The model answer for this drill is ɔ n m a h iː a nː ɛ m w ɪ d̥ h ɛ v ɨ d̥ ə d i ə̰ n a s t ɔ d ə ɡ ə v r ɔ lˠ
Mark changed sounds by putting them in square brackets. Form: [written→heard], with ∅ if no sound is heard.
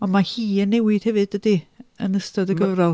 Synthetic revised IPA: ɔ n m a h iː [a→ə] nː ɛ [m→∅] w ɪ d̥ h ɛ v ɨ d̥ ə d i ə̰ n [a→ə] s t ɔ d ə ɡ ə v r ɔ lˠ

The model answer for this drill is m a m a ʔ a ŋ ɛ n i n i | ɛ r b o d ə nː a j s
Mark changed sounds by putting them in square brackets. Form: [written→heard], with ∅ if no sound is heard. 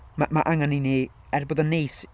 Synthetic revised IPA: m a m a ʔ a ŋ [ɛ→a] n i n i | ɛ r b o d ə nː [a→e] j s

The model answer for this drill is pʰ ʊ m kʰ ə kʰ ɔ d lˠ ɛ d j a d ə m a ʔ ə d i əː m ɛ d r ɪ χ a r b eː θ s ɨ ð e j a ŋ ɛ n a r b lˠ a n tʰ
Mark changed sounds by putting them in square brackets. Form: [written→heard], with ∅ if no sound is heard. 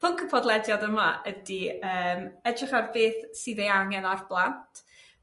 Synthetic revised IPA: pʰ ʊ [m→ŋ] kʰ ə [kʰ→pʰ] ɔ d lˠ ɛ d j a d ə m a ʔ ə d i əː m ɛ d r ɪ χ a r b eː θ s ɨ ð e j a ŋ ɛ n a r b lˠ a n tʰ

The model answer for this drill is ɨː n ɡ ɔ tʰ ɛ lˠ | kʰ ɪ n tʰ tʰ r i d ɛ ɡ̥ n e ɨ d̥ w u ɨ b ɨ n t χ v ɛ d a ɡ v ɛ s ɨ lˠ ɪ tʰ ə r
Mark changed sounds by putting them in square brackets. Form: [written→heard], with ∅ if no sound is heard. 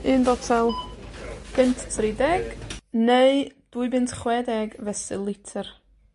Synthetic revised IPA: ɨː n [ɡ→b] ɔ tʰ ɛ lˠ | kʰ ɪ n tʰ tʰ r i d ɛ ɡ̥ n e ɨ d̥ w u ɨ b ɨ n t χ [v→w] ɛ d [a→ɛ] ɡ v ɛ s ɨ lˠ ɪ tʰ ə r

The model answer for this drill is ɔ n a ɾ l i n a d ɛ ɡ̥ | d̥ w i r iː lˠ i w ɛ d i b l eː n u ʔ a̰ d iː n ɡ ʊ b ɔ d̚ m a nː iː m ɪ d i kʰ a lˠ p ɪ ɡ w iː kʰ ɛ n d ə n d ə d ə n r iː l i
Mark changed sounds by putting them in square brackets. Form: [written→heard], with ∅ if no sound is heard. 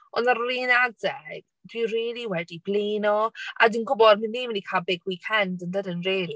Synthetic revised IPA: ɔ n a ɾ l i n a d ɛ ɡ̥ | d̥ w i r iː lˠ i w ɛ d i b l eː n [u→ɔ] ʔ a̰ d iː n ɡ ʊ b ɔ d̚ m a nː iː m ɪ [d→n] i kʰ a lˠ [p→b] ɪ ɡ w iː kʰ ɛ n d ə n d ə d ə n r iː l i

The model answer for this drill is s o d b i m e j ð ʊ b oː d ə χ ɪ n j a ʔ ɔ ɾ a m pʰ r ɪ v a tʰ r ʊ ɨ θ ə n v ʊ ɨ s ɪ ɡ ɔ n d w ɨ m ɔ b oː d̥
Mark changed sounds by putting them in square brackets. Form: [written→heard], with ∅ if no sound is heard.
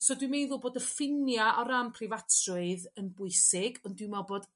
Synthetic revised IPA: s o d [b→w] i m e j ð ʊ b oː d ə [χ→f] ɪ n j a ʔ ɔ ɾ a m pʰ r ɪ v a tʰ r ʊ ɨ [θ→ð] ə n [v→b] ʊ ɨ s ɪ ɡ ɔ n d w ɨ m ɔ b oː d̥

